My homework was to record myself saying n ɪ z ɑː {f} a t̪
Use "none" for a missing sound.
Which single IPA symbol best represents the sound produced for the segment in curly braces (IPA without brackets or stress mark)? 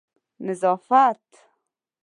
f